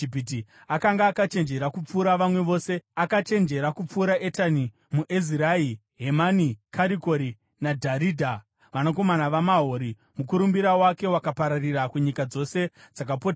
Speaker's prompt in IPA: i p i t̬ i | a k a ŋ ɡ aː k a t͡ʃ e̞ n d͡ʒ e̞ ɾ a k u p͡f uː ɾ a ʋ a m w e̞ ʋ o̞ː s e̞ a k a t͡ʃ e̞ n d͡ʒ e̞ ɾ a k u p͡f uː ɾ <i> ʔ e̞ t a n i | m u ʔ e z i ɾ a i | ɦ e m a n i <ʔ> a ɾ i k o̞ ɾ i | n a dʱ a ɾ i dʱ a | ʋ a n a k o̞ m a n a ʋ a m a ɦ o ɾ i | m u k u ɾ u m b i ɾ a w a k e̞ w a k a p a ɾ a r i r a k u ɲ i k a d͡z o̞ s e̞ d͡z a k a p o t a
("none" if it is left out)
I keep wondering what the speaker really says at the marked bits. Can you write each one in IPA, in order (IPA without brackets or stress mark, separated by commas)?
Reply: a, k